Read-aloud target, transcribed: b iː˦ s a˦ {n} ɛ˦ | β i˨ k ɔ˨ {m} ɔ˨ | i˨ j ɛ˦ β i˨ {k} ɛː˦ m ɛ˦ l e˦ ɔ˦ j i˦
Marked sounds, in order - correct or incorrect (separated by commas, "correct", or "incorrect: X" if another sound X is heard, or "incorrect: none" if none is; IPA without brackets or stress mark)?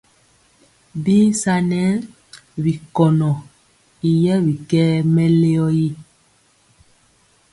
correct, incorrect: n, correct